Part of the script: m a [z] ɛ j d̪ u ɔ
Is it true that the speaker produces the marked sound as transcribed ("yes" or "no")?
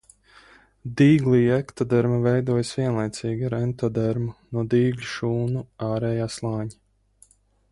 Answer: no